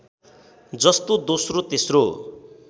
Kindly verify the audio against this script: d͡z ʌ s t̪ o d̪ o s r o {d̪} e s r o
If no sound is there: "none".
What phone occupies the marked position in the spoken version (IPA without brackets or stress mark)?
t̪